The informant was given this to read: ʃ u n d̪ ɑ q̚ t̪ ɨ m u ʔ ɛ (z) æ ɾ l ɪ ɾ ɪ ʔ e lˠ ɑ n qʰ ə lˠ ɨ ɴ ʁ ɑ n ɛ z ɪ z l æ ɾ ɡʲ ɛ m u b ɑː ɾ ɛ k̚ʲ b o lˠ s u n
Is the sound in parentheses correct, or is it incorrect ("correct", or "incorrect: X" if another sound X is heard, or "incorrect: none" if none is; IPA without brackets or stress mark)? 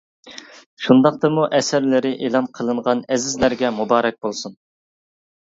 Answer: incorrect: s